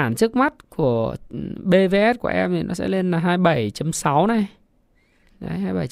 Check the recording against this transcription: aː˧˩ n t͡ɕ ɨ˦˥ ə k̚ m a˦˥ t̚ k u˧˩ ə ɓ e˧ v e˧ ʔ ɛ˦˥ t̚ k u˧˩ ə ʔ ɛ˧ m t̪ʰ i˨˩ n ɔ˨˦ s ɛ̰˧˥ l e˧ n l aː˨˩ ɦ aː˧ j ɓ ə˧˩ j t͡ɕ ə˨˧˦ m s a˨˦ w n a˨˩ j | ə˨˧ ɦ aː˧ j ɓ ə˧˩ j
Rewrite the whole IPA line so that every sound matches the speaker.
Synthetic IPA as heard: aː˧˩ n t͡ɕ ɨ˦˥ ə k̚ m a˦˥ t̚ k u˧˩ ə ɓ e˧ v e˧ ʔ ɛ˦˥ t̚ k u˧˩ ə ʔ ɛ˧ m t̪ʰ i˨˩ n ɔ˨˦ s ɛ̰˧˥ l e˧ n l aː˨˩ ɦ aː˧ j ɓ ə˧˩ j t͡ɕ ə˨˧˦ m s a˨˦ w n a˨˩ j | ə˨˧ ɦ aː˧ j ɓ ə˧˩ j